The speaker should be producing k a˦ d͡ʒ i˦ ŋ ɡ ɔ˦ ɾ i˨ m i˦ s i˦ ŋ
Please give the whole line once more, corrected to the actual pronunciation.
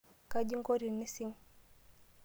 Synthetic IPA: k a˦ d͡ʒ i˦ ŋ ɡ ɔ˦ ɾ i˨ n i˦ s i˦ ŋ